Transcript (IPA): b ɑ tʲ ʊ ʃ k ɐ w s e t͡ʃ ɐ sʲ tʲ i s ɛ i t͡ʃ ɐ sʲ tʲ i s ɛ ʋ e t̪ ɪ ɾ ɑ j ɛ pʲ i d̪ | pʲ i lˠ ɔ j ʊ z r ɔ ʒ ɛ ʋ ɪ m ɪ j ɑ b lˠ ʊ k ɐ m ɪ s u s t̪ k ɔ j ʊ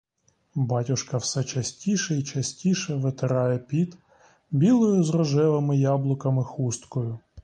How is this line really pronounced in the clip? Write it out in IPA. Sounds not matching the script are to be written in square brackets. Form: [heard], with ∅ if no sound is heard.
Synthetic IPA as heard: b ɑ tʲ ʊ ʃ k ɐ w s [ɛ] t͡ʃ ɐ sʲ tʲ i [ʃ] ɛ i t͡ʃ ɐ sʲ tʲ i [ʃ] ɛ ʋ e t̪ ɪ ɾ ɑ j ɛ pʲ i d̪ | [bʲ] i lˠ ɔ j ʊ z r ɔ ʒ ɛ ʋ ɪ m ɪ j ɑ b lˠ ʊ k ɐ m ɪ [x] u s t̪ k ɔ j ʊ